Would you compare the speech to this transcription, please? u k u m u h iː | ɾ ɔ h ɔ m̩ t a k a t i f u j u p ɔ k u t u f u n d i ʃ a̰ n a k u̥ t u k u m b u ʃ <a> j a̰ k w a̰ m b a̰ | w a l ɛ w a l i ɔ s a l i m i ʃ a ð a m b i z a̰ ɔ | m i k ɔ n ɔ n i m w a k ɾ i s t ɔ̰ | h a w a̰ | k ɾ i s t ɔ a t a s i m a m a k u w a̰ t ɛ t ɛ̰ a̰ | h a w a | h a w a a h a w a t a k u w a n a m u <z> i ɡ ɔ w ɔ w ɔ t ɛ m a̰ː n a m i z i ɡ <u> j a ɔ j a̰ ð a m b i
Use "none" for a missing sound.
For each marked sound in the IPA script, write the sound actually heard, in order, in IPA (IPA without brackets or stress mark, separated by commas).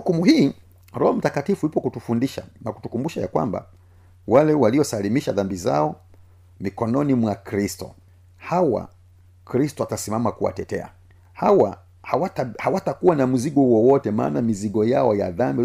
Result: a, z, ɔ